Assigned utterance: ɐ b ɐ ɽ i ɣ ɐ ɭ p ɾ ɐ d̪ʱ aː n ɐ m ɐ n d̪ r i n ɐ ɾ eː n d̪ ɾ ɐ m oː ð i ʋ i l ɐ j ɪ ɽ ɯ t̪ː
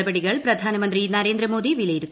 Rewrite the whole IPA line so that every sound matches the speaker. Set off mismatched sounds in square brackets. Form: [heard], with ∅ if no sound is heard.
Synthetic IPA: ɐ b ɐ ɽ i ɣ ɐ ɭ p ɾ ɐ d̪ʱ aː n ɐ m ɐ n d̪ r i n ɐ ɾ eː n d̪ ɾ ɐ m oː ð i ʋ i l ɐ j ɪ [ɾ] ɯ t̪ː